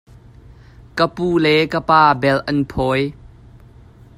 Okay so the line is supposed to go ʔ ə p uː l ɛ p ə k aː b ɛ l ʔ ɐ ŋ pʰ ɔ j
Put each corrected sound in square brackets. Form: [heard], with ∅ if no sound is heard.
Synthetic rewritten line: [k] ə p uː l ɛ [k] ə [p] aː b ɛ l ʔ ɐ [n] pʰ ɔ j